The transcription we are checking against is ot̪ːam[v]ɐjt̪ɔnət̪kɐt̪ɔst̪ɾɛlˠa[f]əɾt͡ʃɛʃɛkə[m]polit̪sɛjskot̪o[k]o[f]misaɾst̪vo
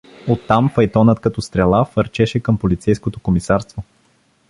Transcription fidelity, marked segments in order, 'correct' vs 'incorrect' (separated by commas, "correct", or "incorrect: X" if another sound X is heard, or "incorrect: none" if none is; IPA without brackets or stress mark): incorrect: f, correct, correct, correct, incorrect: none